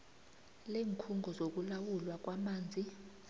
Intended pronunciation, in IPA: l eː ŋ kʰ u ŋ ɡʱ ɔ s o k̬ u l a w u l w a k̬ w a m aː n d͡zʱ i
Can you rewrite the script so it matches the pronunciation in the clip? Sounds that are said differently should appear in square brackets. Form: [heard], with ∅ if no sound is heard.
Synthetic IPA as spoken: l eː ŋ kʰ u ŋ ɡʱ ɔ [z] o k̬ u l a w u l w a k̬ w a m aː n d͡zʱ i